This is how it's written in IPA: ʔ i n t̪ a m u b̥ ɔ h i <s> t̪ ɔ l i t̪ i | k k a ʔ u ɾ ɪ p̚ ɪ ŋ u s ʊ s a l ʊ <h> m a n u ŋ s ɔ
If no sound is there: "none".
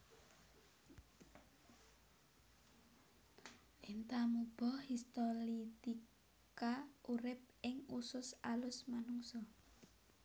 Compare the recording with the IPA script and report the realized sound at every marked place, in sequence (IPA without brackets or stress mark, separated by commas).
s, s